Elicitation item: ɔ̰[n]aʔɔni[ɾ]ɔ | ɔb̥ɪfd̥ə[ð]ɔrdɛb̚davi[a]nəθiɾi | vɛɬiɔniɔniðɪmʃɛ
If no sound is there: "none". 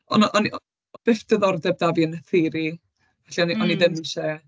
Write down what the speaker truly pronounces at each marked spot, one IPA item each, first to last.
n, none, ð, ə

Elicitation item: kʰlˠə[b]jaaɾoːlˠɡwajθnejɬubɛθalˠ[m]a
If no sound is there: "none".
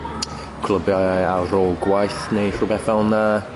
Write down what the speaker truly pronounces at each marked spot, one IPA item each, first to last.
b, n

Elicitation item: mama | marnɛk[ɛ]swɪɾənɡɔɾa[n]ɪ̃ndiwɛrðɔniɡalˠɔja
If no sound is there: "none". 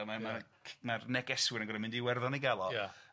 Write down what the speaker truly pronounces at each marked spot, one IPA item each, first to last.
ɛ, m

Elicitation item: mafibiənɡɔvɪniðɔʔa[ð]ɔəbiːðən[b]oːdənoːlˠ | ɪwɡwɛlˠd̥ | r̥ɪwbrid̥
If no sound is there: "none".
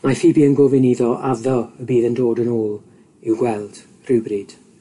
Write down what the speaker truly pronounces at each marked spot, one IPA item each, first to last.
ð, d

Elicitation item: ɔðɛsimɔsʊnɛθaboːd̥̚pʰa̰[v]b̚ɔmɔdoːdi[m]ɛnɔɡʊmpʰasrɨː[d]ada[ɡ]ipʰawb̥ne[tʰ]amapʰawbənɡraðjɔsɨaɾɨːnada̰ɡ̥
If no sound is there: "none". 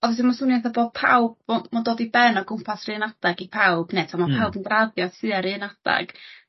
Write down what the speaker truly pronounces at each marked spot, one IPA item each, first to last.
w, b, n, ɡ, tʰ

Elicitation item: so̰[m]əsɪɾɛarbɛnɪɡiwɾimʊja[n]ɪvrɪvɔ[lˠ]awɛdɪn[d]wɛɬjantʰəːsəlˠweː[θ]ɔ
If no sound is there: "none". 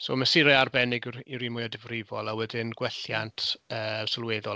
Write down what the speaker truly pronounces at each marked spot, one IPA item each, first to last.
m, d, lˠ, ɡ, ð

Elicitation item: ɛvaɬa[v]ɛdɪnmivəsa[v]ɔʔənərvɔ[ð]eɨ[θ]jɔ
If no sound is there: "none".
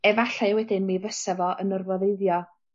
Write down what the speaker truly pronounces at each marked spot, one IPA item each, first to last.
w, v, ð, ð

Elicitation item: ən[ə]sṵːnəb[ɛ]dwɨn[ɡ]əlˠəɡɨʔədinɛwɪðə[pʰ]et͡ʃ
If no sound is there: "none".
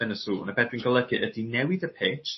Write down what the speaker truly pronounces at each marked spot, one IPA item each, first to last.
ə, ɛ, ɡ, pʰ

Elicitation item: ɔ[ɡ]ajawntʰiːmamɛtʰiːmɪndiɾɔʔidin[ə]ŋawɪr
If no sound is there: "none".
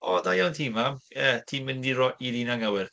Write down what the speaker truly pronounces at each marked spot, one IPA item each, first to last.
d, a

